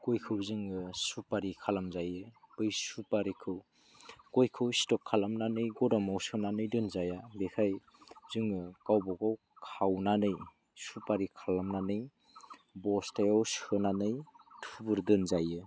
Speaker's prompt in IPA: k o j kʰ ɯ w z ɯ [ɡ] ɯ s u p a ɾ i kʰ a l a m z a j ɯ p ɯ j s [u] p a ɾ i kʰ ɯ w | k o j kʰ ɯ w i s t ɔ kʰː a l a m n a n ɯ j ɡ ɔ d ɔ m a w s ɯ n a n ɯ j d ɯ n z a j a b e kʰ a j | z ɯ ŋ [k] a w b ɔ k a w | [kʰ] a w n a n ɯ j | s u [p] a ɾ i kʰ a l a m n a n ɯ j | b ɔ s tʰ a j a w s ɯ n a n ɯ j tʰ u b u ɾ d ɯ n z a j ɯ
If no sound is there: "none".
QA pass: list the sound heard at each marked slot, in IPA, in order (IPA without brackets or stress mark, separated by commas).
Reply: ŋ, u, k, kʰ, p